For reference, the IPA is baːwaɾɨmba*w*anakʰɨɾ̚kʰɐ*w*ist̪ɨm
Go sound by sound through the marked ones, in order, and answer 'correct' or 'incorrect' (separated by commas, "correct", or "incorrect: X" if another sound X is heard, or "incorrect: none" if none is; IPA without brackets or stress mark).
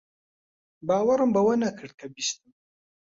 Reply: correct, incorrect: b